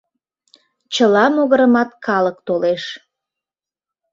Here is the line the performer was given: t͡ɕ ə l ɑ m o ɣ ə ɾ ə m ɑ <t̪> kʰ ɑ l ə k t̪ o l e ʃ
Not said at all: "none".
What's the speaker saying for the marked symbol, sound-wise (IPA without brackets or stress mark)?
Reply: t̪